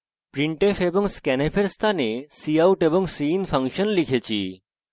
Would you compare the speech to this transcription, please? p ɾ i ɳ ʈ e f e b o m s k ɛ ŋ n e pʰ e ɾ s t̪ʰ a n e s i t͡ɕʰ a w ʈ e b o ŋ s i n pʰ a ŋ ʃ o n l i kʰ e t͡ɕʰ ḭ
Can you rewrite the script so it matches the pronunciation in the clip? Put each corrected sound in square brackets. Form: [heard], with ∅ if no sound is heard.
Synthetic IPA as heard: p ɾ i ɳ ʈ e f e b o [ŋ] s k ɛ [∅] n e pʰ e ɾ s t̪ʰ a n e s i [∅] a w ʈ e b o ŋ s i n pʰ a ŋ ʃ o n l i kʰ e t͡ɕʰ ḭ